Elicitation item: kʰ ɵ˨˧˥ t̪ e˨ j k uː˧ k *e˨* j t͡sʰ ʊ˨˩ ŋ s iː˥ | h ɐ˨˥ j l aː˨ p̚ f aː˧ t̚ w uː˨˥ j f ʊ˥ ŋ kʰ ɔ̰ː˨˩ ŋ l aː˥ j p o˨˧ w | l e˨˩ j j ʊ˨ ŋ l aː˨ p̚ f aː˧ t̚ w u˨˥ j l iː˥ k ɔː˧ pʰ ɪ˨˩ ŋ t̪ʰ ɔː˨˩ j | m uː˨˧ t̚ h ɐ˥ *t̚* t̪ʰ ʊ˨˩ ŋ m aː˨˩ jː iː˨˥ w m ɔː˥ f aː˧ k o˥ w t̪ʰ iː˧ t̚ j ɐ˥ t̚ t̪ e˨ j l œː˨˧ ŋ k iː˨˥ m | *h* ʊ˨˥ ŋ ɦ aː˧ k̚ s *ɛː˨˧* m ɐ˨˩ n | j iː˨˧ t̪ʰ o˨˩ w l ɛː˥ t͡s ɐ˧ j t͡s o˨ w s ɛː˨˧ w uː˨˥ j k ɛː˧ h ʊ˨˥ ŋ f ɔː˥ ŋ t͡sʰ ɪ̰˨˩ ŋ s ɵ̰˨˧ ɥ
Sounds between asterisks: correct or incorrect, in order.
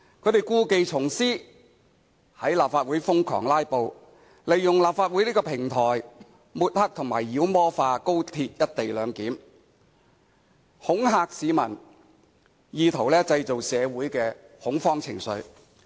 correct, incorrect, correct, incorrect

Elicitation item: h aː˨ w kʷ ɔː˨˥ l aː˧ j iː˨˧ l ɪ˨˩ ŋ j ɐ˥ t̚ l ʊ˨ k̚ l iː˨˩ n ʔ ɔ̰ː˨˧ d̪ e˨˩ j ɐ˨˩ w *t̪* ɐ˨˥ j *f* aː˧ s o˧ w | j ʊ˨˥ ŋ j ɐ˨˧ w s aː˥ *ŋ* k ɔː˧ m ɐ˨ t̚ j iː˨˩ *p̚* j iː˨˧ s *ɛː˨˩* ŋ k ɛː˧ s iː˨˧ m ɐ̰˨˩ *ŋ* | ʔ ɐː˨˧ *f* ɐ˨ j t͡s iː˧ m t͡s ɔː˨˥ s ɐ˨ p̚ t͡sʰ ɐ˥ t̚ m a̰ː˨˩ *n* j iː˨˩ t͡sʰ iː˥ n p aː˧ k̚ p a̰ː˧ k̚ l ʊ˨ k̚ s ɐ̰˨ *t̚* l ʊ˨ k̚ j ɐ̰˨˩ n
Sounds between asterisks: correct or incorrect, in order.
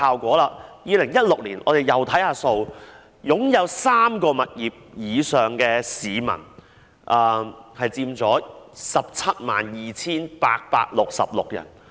incorrect, incorrect, incorrect, correct, incorrect, incorrect, incorrect, correct, incorrect

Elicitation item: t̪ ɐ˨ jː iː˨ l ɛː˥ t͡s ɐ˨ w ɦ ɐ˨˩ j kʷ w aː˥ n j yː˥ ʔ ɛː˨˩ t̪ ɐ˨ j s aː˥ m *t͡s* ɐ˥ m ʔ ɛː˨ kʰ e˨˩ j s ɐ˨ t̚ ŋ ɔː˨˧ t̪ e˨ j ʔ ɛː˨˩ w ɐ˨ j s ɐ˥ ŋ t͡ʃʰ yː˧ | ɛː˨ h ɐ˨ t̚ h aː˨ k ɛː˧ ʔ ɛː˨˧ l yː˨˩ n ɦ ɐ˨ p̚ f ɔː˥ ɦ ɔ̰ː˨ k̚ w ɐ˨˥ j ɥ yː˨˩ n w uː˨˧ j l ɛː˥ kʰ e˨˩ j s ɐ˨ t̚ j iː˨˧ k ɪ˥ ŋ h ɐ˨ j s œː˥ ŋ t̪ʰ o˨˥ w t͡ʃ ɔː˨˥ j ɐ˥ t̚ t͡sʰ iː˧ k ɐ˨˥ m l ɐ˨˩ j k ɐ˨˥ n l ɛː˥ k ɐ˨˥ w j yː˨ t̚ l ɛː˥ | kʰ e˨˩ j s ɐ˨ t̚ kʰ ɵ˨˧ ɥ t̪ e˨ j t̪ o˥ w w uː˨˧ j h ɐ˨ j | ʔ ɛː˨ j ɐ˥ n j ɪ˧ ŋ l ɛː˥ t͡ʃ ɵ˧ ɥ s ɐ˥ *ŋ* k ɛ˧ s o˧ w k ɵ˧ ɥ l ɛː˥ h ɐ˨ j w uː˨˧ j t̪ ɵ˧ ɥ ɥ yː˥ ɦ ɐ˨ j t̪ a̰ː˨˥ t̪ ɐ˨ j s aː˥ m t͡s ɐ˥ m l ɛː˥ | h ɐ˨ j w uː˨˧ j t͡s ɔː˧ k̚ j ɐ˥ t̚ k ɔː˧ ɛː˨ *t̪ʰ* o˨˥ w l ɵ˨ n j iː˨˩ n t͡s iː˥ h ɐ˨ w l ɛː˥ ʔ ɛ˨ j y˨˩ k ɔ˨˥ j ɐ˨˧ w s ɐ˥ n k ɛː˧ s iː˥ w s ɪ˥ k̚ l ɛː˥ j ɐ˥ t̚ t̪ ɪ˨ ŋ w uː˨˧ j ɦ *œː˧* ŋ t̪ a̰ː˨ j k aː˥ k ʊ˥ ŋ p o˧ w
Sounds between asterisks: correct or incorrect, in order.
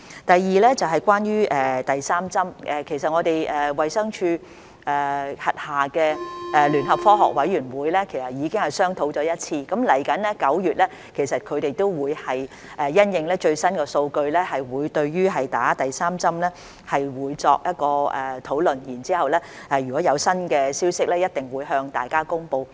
correct, incorrect, correct, correct

